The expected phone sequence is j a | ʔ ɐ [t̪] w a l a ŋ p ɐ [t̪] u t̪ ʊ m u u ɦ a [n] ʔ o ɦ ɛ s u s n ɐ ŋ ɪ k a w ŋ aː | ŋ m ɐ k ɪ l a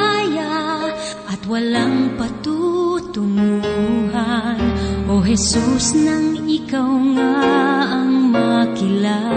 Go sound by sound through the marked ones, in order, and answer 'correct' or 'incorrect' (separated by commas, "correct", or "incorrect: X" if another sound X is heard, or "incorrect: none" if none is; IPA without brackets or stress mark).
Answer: correct, correct, correct